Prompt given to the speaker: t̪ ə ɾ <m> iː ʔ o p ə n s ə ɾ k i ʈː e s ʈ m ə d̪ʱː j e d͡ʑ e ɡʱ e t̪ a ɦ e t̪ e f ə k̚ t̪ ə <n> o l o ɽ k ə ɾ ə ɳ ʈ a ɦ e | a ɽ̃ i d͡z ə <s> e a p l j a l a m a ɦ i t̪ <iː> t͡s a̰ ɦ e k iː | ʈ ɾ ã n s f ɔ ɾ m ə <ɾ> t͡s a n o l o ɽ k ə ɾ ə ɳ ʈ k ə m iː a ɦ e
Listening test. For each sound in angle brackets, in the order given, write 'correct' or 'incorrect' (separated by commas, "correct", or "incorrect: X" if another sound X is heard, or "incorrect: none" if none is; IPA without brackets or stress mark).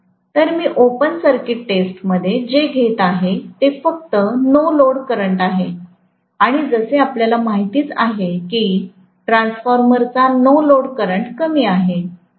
correct, correct, correct, correct, correct